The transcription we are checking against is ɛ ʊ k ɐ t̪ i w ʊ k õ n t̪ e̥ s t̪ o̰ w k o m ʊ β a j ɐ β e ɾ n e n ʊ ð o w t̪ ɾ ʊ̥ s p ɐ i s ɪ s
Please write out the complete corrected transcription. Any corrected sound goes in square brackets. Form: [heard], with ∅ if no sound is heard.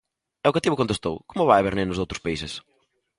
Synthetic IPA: ɛ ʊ k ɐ t̪ i [β] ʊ k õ n t̪ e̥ s t̪ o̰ w k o m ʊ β a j ɐ β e ɾ n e n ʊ [z] o w t̪ ɾ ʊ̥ s p ɐ i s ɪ s